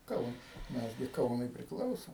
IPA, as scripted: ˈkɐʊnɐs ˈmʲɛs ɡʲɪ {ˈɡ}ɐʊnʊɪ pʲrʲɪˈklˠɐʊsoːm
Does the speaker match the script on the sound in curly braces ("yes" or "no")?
no